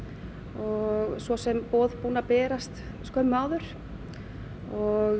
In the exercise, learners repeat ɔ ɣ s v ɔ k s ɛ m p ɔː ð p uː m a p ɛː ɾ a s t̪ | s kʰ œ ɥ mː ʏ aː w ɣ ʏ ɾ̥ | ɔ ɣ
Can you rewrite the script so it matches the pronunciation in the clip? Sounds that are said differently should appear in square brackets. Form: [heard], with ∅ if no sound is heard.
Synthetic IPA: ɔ ɣ s v ɔ [∅] s ɛ m p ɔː ð p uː [n] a p ɛː ɾ a s t̪ | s [k] œ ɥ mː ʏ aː w [ð] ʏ ɾ̥ | ɔ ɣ